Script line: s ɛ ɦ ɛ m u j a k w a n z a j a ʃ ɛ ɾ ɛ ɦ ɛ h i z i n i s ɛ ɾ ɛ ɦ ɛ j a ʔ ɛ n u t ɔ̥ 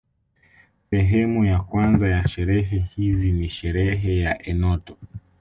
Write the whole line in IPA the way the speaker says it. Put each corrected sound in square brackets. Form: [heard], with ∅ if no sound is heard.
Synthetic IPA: s ɛ ɦ ɛ m u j a k w a n z a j a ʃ ɛ ɾ ɛ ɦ ɛ h i z i n i [ʃ] ɛ ɾ ɛ ɦ ɛ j a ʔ ɛ n [ɔ] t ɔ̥